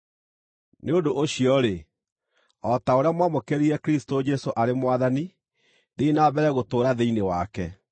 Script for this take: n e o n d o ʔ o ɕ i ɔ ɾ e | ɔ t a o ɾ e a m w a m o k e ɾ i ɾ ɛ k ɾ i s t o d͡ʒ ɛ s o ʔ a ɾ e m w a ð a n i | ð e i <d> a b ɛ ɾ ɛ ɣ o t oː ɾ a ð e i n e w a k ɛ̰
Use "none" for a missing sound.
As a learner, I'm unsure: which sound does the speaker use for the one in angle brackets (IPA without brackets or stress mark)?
n